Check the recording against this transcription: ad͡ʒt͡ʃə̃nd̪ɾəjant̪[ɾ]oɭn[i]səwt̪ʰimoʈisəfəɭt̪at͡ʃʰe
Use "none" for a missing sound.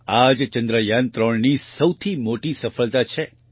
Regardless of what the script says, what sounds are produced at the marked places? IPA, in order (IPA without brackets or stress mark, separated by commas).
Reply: ɾ, i